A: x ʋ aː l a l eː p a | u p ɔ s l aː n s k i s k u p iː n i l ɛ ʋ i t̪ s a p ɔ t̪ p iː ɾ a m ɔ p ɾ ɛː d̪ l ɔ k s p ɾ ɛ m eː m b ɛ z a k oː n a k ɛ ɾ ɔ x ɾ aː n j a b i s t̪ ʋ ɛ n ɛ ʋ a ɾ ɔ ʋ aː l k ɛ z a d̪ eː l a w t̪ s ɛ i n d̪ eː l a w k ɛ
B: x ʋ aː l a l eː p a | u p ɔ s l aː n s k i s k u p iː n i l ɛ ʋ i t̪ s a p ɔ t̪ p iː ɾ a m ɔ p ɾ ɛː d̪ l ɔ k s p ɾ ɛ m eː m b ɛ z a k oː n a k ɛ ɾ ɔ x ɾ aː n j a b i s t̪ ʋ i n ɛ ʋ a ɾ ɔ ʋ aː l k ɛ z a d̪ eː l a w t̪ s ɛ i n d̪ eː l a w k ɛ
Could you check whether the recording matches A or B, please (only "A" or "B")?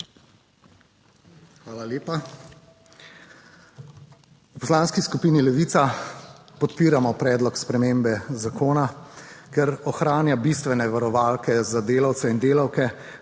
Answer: A